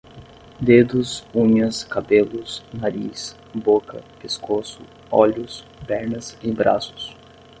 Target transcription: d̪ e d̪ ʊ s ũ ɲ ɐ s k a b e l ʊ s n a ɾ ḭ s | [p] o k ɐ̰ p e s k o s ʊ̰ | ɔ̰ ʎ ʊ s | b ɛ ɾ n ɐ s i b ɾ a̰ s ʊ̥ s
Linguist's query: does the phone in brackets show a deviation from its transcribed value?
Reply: yes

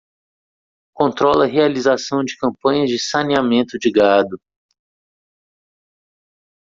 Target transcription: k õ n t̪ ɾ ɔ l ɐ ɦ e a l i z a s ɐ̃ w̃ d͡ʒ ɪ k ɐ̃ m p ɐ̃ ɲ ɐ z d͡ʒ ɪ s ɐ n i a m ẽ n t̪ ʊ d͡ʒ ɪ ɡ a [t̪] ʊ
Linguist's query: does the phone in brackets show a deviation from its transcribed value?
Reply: yes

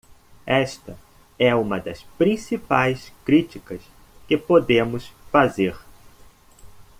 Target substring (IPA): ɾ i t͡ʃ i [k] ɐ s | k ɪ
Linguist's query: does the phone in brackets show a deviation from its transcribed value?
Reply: no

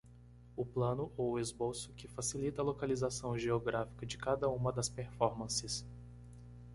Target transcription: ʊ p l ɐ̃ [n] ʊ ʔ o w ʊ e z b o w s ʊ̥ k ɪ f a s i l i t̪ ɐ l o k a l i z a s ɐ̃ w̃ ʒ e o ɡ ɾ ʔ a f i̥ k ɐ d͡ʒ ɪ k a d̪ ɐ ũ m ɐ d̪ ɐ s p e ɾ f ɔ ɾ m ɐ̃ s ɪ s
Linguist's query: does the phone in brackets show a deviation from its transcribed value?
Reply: no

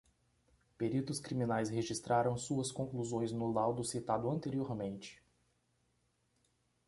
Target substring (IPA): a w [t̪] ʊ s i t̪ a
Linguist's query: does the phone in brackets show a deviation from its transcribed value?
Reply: yes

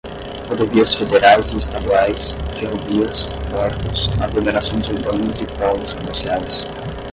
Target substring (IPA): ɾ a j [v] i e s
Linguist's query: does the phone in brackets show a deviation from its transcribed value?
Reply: yes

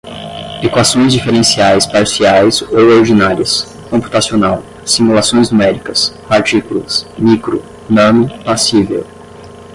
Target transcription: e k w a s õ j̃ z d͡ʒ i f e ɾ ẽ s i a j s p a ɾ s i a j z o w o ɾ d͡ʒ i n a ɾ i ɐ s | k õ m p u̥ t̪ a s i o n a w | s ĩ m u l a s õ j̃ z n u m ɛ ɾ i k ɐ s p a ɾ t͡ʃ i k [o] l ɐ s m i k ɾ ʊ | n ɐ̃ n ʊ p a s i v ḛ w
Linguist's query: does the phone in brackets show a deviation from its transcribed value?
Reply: yes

